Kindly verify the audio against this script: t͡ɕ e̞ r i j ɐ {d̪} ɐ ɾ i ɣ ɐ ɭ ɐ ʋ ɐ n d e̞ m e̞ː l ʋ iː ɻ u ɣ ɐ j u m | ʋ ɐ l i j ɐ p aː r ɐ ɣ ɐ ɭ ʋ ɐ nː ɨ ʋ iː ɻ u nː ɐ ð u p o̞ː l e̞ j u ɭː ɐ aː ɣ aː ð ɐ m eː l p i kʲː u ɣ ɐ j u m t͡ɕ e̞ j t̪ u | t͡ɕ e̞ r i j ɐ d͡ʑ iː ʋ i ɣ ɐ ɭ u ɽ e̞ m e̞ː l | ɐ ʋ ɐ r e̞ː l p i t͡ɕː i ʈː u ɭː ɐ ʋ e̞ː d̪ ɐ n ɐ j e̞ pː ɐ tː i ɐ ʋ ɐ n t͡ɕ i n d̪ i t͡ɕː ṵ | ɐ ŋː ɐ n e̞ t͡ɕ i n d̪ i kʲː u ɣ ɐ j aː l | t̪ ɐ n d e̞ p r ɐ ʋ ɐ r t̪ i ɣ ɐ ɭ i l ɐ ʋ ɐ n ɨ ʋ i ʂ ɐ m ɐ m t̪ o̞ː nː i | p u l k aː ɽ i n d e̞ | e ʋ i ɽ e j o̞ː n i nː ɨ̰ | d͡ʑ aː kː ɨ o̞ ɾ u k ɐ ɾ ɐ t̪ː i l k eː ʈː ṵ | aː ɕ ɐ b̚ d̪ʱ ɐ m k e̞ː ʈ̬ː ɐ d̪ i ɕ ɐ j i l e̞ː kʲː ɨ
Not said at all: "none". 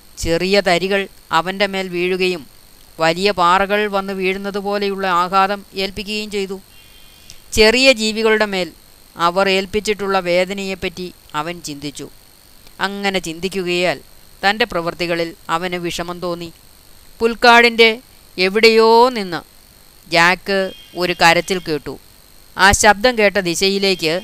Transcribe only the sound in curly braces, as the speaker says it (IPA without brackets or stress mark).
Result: t̪